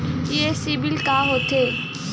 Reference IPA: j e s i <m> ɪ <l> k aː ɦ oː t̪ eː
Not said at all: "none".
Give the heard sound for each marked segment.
b, l

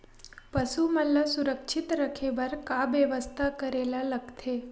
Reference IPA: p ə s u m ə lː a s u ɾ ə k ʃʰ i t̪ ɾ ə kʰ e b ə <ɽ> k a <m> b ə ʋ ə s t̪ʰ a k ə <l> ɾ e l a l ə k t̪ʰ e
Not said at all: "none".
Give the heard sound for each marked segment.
ɾ, none, none

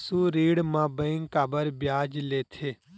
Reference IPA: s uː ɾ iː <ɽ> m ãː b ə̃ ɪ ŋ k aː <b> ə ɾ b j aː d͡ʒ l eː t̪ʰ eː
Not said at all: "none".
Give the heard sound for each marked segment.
ɽ, b

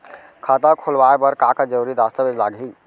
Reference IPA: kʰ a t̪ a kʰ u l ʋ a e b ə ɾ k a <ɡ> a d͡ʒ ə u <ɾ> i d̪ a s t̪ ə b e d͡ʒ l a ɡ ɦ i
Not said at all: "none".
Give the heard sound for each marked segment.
k, ɾ

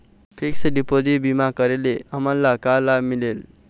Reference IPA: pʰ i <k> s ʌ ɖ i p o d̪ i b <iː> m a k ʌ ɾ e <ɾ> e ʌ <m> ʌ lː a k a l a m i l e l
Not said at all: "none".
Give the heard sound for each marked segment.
k, i, l, m

